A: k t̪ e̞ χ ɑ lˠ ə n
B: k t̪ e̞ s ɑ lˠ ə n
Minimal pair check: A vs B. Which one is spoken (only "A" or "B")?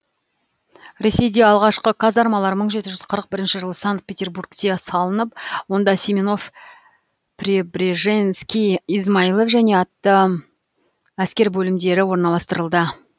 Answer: B